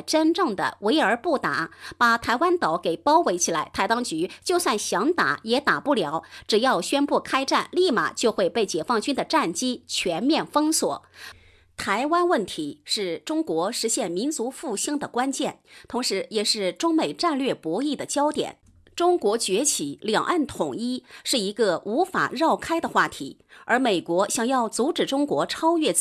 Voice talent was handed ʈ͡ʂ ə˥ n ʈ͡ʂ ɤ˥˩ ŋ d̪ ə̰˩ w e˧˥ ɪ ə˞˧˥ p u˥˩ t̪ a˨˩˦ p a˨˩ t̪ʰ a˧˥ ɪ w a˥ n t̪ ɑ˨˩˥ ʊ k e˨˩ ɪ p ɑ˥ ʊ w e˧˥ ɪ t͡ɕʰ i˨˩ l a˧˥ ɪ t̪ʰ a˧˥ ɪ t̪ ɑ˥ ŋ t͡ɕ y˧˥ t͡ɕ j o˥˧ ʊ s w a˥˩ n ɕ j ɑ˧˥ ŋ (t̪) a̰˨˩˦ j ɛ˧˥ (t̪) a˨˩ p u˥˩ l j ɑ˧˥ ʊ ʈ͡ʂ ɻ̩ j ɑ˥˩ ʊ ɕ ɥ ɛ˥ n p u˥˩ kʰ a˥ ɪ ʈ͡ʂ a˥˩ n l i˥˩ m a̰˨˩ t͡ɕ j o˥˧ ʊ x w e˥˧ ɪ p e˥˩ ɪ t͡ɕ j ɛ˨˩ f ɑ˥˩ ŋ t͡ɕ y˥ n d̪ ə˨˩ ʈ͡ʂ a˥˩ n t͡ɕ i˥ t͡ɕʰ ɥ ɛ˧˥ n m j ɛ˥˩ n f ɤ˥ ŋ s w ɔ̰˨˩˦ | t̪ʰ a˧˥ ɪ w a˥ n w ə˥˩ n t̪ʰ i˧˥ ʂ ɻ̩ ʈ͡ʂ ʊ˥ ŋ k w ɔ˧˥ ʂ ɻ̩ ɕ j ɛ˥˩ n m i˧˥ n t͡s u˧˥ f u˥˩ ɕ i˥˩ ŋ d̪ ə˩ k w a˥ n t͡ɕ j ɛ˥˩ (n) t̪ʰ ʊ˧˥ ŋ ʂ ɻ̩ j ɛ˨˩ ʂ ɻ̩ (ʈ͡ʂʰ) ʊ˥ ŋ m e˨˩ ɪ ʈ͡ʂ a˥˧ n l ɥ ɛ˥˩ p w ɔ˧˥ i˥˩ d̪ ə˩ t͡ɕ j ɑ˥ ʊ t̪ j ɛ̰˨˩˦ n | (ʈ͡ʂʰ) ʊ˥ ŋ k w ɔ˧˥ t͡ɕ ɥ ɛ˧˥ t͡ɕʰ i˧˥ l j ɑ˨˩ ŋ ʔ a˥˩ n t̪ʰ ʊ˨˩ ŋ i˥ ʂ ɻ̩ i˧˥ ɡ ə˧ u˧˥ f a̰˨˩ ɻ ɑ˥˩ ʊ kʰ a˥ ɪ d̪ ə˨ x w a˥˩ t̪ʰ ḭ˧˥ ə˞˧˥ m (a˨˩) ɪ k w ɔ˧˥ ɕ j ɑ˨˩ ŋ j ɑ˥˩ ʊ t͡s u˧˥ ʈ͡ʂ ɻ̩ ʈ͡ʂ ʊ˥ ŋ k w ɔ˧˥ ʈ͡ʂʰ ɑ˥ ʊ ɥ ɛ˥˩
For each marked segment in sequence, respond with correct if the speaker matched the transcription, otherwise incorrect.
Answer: correct, correct, correct, incorrect, incorrect, incorrect

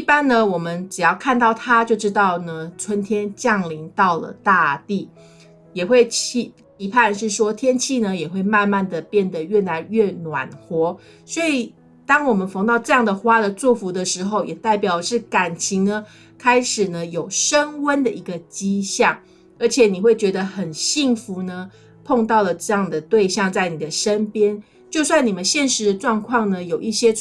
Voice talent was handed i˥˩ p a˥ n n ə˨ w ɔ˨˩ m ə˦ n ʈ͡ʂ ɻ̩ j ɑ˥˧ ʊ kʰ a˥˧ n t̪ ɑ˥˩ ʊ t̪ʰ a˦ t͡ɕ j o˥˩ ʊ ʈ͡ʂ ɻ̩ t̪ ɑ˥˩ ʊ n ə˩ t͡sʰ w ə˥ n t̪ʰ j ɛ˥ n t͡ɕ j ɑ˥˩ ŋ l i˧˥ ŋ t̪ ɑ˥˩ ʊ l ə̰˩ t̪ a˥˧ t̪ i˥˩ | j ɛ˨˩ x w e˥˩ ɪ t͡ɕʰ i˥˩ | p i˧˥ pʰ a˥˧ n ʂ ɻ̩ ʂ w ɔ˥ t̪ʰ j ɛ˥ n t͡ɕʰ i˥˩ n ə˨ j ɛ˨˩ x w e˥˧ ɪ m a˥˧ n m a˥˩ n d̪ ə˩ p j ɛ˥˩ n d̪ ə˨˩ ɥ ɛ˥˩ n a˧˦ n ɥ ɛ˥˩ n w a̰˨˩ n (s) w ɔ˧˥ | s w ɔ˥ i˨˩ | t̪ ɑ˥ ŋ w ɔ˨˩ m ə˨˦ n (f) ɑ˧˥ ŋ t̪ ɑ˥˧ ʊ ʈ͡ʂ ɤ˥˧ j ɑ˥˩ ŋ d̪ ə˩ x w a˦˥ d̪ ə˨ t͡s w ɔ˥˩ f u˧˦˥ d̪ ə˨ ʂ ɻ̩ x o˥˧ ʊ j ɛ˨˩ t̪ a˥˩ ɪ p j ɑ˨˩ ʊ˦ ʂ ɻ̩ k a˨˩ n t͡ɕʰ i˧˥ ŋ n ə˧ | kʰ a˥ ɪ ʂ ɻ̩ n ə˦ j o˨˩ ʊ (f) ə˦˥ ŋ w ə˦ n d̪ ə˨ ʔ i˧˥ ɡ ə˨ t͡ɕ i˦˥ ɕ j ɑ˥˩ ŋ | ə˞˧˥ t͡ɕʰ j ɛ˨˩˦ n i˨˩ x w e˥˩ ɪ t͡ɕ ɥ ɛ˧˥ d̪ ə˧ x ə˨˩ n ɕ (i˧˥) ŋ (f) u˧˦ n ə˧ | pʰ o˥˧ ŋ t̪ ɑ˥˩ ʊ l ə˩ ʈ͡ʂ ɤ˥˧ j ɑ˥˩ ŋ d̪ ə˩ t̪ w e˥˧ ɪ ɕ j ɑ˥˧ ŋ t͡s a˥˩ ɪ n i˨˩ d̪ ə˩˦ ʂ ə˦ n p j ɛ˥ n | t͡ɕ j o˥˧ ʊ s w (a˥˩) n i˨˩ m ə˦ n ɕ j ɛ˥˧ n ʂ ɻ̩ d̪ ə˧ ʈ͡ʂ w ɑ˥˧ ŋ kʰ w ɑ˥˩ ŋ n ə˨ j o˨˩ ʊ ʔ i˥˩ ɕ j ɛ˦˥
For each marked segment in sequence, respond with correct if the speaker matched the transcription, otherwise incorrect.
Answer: incorrect, correct, incorrect, incorrect, correct, correct

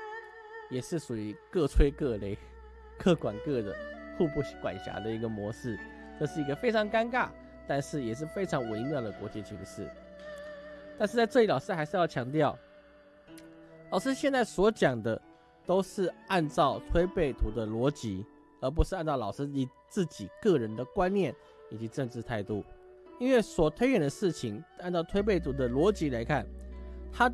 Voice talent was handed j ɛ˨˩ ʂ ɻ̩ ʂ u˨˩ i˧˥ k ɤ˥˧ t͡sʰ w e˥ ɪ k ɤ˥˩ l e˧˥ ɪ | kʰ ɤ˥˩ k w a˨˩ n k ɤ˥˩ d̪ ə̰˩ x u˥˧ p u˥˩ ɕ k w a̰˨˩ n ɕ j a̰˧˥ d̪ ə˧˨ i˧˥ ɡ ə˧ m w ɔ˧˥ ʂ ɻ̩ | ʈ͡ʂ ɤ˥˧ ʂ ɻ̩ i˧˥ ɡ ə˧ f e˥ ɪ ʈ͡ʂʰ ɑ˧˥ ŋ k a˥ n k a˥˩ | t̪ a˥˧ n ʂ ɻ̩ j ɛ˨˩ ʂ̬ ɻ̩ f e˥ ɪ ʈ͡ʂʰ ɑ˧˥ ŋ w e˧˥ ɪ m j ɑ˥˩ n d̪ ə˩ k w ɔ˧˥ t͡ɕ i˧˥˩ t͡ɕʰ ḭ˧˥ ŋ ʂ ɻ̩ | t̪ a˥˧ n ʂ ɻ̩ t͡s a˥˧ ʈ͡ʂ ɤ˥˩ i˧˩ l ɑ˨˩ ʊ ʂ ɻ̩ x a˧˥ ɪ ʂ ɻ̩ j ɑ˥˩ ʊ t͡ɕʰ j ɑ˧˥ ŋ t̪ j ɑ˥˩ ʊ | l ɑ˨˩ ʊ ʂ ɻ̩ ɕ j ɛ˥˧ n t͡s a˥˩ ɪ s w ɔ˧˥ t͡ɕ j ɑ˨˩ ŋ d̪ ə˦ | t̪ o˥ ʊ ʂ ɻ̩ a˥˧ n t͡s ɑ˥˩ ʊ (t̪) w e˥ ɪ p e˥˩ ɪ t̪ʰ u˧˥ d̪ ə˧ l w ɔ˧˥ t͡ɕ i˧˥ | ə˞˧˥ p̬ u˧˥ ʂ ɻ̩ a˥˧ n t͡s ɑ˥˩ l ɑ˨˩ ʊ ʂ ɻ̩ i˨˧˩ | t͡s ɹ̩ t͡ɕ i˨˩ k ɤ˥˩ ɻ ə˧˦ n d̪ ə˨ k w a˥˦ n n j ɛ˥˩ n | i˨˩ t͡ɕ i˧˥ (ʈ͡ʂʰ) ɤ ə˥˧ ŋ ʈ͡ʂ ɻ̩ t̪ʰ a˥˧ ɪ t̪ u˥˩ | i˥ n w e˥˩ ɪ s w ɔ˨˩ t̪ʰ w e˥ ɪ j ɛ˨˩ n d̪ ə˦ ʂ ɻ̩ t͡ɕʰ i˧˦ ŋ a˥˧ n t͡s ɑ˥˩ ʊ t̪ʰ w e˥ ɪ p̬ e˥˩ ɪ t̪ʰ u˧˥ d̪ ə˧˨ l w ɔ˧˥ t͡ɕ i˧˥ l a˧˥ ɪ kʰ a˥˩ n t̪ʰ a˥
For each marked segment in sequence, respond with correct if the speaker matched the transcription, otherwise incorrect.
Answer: incorrect, incorrect

